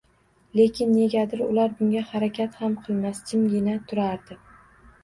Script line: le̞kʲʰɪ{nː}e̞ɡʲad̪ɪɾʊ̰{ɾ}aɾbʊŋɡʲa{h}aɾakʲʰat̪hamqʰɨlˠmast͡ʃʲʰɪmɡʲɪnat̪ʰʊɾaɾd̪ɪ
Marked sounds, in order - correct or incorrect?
correct, incorrect, correct

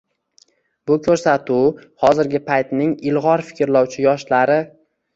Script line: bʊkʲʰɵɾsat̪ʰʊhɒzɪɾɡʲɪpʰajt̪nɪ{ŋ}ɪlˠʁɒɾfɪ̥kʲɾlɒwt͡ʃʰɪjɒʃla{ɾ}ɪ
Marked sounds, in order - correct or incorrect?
correct, correct

